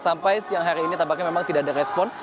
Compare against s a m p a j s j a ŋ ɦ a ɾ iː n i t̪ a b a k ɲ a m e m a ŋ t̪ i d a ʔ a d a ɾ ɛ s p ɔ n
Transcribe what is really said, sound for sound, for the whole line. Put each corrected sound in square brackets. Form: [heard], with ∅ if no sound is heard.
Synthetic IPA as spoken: s a m p a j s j a ŋ ɦ a ɾ iː n i t̪ a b a k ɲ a m e m a ŋ t̪ i d a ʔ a d a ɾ ɛ s p ɔ n